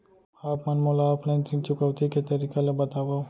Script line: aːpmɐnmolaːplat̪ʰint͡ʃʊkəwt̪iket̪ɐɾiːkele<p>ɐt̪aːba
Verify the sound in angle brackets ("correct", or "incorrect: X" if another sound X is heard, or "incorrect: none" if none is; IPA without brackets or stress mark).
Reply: incorrect: b